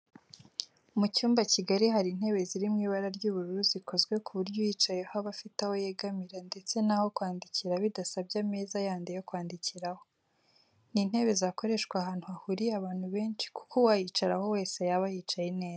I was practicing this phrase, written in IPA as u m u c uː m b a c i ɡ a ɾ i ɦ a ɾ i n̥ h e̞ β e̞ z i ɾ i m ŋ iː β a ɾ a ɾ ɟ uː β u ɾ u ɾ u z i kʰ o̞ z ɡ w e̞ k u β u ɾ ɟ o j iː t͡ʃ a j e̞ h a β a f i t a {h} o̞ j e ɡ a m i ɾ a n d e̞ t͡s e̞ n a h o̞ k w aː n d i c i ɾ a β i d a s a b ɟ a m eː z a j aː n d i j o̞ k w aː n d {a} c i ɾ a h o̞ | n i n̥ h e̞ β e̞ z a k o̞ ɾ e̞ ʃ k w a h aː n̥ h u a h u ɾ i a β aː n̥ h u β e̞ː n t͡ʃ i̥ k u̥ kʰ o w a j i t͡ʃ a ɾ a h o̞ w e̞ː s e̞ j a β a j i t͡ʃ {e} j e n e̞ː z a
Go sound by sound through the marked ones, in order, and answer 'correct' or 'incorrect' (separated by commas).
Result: correct, incorrect, incorrect